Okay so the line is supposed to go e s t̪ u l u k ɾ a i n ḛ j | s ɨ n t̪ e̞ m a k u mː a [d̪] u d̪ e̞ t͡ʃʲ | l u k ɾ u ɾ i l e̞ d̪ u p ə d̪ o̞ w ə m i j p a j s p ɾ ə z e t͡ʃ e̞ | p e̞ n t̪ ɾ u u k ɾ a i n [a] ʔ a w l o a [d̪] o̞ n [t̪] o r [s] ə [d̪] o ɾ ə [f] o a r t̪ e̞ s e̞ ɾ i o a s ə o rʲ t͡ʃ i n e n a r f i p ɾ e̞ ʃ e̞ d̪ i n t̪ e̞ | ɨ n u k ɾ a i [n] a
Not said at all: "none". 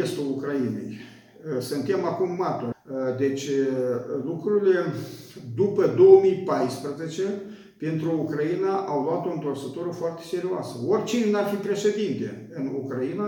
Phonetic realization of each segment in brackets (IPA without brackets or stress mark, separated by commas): t̪, a, t̪, t̪, s, t̪, f, n